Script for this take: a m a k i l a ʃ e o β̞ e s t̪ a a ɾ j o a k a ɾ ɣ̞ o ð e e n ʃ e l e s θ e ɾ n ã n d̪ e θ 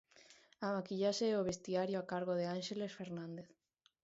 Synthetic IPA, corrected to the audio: a m a k i ʎ a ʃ e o β̞ e s t̪ i a ɾ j o a k a ɾ ɣ̞ o ð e a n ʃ e l e s f e ɾ n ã n d̪ e θ